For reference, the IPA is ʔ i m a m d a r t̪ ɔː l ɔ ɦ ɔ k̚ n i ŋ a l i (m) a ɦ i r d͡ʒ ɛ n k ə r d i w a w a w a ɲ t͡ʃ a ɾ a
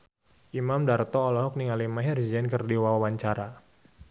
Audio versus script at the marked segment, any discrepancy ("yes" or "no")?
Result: no